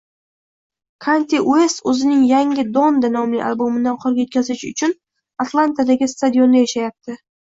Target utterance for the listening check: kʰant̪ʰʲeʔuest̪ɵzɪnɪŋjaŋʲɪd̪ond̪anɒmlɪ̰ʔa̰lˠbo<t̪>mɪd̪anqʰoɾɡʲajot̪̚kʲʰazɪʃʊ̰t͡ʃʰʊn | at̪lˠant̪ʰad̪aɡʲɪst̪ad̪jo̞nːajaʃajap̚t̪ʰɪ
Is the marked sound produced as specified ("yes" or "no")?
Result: no